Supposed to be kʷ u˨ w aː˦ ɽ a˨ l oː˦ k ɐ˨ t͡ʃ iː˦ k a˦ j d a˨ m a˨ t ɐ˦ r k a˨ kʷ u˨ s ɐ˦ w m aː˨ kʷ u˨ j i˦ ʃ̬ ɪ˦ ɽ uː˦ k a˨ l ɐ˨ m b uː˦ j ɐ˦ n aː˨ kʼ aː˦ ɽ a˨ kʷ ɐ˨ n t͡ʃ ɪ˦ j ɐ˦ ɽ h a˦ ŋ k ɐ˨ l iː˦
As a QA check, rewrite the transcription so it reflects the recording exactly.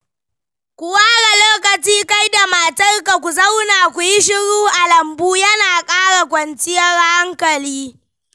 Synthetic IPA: kʷ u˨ w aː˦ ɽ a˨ l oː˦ k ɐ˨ t͡ʃ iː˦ k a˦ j d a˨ m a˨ t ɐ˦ r k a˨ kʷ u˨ z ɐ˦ w n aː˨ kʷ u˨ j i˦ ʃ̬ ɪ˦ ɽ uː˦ ʔ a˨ l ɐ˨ m b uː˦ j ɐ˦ n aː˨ kʼ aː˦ ɽ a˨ kʷ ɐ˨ n t͡ʃ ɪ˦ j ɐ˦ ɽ h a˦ ŋ k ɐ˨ l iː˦